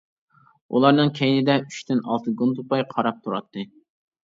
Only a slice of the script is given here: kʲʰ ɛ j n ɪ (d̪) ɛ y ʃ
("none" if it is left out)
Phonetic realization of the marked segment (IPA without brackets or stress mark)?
d̪